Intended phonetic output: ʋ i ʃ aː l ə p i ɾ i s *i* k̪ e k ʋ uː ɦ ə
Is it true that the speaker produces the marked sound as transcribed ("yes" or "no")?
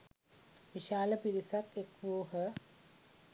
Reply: no